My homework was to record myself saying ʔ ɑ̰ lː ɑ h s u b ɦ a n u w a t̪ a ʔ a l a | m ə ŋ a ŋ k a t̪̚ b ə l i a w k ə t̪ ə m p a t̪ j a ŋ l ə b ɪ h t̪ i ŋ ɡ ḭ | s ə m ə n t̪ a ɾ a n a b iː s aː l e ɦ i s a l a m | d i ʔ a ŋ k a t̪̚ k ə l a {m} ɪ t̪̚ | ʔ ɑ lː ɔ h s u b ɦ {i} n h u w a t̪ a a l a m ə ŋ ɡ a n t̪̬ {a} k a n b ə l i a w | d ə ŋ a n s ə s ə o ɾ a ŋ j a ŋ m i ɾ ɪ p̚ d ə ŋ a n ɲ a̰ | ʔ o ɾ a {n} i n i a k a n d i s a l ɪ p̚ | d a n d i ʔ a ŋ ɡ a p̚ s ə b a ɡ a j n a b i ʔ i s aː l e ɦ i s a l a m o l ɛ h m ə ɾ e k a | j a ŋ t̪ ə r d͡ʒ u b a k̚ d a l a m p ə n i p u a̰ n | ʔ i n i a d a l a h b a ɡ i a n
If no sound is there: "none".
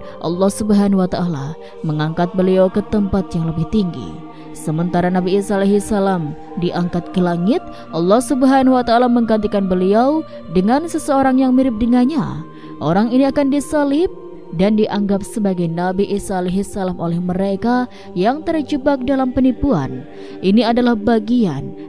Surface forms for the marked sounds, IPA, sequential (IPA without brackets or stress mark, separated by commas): ŋ, a, i, ŋ